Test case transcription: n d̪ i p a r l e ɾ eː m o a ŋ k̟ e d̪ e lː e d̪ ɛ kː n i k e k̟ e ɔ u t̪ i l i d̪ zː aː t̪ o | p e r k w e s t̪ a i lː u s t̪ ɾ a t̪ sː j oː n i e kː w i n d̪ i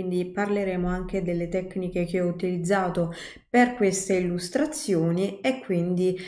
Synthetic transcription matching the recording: n d̪ i p a r l e ɾ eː m o a ŋ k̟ e d̪ e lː e t̪ ɛ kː n i k e k̟ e ɔ u t̪ i l i d̪ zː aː t̪ o | p e r k w e s t̪ e i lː u s t̪ ɾ a t̪ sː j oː n i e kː w i n d̪ i